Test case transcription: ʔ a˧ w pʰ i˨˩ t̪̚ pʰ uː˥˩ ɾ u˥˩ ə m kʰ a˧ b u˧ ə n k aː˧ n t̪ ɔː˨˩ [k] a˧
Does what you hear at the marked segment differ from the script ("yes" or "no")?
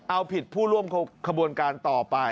yes